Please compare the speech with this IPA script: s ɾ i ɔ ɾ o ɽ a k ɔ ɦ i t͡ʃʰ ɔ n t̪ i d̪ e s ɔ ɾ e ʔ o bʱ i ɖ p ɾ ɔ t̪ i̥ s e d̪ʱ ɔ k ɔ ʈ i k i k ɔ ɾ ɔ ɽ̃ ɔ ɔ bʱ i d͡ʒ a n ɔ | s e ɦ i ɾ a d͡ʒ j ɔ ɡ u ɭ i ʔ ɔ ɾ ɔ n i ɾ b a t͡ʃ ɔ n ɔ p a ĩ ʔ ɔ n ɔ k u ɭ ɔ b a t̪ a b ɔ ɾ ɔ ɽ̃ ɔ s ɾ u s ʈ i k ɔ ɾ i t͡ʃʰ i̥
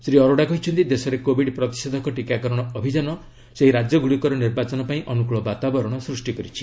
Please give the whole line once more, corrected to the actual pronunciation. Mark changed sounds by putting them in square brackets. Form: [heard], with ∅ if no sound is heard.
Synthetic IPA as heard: s ɾ i ɔ ɾ o ɽ a k ɔ ɦ i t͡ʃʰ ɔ n t̪ i d̪ e s ɔ ɾ e [k] o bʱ i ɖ p ɾ ɔ t̪ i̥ s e d̪ʱ ɔ k ɔ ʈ i k [a] k ɔ ɾ ɔ ɽ̃ ɔ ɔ bʱ i d͡ʒ a n ɔ | s e ɦ i ɾ a d͡ʒ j ɔ ɡ u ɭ i [k] ɔ ɾ ɔ n i ɾ b a t͡ʃ ɔ n ɔ p a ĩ ʔ ɔ n [u] k u ɭ ɔ b a t̪ a b ɔ ɾ ɔ ɽ̃ ɔ s ɾ u s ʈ i k ɔ ɾ i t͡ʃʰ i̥

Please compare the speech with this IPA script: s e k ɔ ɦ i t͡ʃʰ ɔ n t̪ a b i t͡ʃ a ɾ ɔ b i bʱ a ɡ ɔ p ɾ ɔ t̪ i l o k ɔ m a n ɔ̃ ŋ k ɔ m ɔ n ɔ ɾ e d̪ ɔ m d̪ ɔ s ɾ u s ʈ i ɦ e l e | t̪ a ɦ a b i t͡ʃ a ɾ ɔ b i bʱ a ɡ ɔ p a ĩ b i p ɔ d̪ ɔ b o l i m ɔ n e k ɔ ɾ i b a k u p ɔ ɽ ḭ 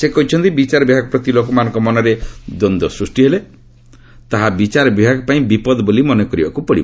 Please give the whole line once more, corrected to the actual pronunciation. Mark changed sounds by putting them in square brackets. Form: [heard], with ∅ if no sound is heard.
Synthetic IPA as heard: s e k ɔ ɦ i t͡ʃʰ ɔ n t̪ [i] b i t͡ʃ a ɾ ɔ b i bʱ a ɡ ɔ p ɾ ɔ t̪ i l o k ɔ m a n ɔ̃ ŋ k ɔ m ɔ n ɔ ɾ e d̪ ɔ [n] d̪ ɔ s ɾ u s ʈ i ɦ e l e | t̪ a ɦ a b i t͡ʃ a ɾ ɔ b i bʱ a ɡ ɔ p a ĩ b i p ɔ d̪ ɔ b o l i m ɔ n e k ɔ ɾ i b a k u p ɔ ɽ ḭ

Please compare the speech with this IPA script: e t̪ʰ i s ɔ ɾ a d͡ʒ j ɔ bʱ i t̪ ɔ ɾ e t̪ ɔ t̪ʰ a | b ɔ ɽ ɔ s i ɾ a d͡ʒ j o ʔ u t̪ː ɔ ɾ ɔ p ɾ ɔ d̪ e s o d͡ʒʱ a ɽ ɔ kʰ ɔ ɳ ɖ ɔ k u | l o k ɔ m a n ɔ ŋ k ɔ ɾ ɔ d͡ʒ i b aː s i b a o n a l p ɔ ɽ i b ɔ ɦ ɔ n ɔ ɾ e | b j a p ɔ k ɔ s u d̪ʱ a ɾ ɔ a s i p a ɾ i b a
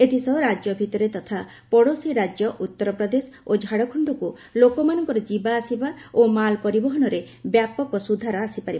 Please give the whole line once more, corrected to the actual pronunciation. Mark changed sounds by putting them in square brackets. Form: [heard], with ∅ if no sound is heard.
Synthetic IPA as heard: e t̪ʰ i s ɔ ɾ a d͡ʒ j ɔ bʱ i t̪ ɔ ɾ e t̪ ɔ t̪ʰ a | [p] ɔ ɽ [o] s i ɾ a d͡ʒ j [ɔ] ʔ u t̪ː ɔ ɾ ɔ p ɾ ɔ d̪ e s o d͡ʒʱ a ɽ ɔ kʰ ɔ ɳ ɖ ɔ k u | l o k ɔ m a n ɔ ŋ k ɔ ɾ ɔ d͡ʒ i b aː s i b a o [m] a l p ɔ [ɾ] i b ɔ ɦ ɔ n ɔ ɾ e | b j a p ɔ k ɔ s u d̪ʱ a ɾ ɔ a s i p a ɾ i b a

